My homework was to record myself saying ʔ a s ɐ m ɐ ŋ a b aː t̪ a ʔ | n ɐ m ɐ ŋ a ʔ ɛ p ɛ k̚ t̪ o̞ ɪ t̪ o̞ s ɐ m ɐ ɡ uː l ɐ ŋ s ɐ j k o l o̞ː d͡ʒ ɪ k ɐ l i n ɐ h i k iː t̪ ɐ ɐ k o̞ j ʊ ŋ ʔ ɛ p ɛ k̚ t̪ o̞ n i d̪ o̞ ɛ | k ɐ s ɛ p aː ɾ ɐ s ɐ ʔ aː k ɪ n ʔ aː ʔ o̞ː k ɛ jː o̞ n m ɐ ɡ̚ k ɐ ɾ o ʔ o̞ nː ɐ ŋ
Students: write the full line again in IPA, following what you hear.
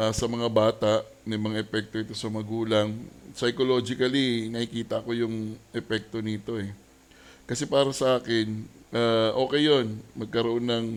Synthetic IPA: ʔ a s ɐ m ɐ ŋ a b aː t̪ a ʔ | n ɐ m ɐ ŋ a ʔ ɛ p ɛ k̚ t̪ o̞ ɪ t̪ o̞ s ɐ m ɐ ɡ uː l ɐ ŋ s ɐ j k o l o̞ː d͡ʒ ɪ k ɐ l i n ɐ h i k iː t̪ ɐ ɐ k o̞ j ʊ ŋ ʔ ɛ p ɛ k̚ t̪ o̞ n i t̪ o̞ ɛ | k ɐ s ɛ p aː ɾ ɐ s ɐ ʔ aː k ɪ n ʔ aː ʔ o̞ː k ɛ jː o̞ n m ɐ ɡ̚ k ɐ ɾ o ʔ o̞ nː ɐ ŋ